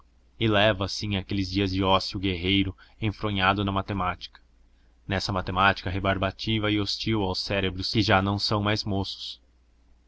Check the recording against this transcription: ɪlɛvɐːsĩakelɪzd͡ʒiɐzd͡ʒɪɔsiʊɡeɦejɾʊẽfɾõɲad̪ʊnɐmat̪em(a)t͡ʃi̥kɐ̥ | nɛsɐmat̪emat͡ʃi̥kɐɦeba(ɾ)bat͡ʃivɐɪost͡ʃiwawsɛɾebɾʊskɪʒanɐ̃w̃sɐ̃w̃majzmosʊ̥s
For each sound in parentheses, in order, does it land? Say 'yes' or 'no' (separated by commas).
yes, yes